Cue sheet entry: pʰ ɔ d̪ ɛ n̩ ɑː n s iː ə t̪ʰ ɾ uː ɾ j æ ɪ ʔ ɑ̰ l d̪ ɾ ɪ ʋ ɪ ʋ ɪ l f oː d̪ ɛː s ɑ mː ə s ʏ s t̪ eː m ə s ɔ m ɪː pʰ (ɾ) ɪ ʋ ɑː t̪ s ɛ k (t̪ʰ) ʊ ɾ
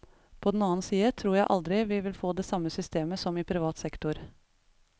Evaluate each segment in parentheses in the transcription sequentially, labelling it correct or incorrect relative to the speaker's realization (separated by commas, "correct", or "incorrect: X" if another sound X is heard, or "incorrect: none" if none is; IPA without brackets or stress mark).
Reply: correct, incorrect: t̪